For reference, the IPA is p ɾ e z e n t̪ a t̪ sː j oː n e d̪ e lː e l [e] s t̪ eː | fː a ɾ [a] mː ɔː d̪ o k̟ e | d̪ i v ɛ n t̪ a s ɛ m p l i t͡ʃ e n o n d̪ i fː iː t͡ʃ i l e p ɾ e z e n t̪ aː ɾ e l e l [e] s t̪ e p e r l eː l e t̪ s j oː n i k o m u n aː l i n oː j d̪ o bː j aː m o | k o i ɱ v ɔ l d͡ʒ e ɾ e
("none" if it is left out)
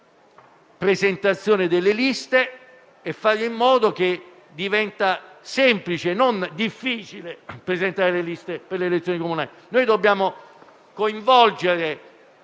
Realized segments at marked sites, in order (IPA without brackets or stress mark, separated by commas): i, i, i